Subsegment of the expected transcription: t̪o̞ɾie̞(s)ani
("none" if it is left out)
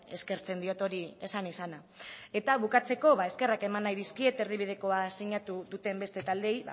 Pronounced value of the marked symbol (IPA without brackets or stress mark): s